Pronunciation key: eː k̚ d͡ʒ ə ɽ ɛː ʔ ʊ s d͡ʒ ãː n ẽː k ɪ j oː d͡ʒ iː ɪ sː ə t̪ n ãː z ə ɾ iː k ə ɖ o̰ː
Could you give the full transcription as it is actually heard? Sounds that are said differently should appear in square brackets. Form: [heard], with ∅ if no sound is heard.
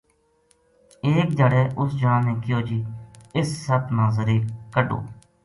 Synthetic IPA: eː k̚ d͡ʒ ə ɽ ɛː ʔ ʊ s d͡ʒ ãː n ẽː k ɪ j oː d͡ʒ iː ɪ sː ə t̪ n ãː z ə ɾ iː k ə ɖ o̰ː